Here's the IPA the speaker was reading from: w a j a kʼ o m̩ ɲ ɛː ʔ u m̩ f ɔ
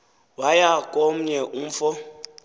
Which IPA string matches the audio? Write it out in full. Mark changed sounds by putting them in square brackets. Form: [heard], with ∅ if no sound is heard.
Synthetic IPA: w a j a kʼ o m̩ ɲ [ɛ] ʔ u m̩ f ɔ